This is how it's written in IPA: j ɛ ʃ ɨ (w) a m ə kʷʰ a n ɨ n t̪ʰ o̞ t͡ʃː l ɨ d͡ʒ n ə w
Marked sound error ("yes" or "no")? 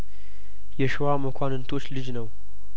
no